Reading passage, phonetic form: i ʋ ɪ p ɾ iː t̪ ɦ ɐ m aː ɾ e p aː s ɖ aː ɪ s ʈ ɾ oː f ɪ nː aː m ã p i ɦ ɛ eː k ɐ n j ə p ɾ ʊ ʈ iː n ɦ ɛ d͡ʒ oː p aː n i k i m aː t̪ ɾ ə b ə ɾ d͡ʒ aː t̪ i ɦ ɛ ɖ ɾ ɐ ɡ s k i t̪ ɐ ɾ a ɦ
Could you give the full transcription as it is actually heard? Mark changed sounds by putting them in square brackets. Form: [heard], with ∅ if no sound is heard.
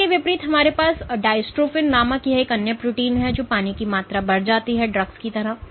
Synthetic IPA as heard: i ʋ ɪ p ɾ iː t̪ ɦ ɐ m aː ɾ e p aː s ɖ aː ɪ s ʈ ɾ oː f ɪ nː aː m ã [k] i ɦ ɛ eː k ɐ n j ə p ɾ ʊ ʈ iː n ɦ ɛ d͡ʒ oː p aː n i k i m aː t̪ ɾ [a] b [ɐ] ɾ d͡ʒ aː t̪ i ɦ ɛ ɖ ɾ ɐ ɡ s k i t̪ ɐ ɾ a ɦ